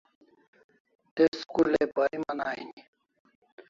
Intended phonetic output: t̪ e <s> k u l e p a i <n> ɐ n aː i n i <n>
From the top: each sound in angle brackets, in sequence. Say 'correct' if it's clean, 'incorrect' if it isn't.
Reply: correct, incorrect: m, incorrect: none

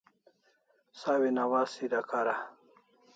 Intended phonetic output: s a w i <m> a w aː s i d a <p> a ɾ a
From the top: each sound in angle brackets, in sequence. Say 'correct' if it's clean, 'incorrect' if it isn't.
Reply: incorrect: n, incorrect: k

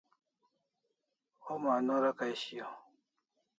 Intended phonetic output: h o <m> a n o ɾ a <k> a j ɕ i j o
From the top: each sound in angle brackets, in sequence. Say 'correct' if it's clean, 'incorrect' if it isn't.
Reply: correct, correct

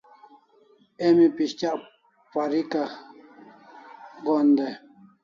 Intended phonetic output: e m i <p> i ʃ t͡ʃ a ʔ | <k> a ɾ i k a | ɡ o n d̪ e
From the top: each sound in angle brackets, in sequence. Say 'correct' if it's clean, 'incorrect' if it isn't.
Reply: correct, incorrect: p

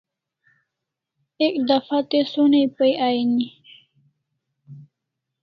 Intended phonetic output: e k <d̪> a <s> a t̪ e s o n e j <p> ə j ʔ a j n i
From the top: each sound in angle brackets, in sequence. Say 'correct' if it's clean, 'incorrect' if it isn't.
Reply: correct, incorrect: f, correct

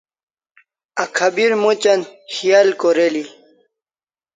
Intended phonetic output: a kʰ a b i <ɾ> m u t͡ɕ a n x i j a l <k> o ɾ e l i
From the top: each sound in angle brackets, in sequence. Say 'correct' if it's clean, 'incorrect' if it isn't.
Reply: correct, correct

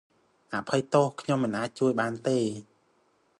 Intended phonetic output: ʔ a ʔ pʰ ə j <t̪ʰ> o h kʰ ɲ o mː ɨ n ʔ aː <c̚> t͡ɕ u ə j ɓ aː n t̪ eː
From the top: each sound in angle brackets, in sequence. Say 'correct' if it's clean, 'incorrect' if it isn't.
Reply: incorrect: t̪, correct

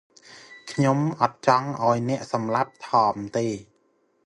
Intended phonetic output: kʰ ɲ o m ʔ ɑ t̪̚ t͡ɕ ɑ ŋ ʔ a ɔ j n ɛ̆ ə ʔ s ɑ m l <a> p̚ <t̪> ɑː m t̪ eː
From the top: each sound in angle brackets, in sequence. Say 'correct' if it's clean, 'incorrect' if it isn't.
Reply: correct, incorrect: t̪ʰ

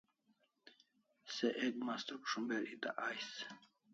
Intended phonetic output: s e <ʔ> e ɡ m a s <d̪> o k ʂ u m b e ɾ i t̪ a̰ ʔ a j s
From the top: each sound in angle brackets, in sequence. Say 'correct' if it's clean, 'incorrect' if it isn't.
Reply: correct, incorrect: t̪

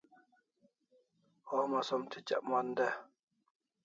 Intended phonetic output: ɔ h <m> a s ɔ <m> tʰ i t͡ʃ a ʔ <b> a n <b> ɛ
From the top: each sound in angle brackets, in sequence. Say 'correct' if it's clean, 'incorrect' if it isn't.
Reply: correct, correct, incorrect: m, incorrect: d

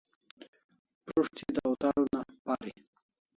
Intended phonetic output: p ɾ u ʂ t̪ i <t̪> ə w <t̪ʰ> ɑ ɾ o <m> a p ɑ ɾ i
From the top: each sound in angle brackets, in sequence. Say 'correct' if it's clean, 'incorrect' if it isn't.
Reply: incorrect: d̪, incorrect: t̪, incorrect: n

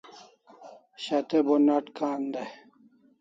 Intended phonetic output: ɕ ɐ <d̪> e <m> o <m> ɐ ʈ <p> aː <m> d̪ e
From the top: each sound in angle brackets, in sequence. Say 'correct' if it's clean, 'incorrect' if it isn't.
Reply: incorrect: t̪, incorrect: b, incorrect: n, incorrect: k, incorrect: n

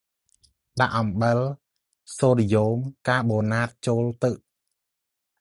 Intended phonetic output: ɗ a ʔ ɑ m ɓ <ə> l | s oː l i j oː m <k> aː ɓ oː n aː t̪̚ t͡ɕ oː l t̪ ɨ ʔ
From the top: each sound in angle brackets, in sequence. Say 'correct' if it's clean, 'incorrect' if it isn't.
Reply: correct, correct

